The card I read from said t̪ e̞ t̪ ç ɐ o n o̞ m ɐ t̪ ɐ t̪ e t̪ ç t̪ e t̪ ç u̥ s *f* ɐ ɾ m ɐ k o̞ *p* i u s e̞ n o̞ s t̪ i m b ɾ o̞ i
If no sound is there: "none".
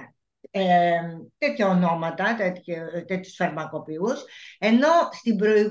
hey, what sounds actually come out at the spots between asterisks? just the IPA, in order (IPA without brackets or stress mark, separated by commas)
f, p